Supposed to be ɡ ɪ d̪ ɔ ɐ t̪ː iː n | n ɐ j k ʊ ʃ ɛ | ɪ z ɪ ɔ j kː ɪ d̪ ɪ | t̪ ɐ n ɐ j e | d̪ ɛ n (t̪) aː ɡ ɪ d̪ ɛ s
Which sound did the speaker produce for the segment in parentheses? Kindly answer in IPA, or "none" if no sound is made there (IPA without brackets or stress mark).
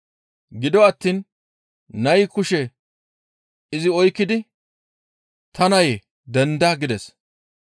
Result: d̪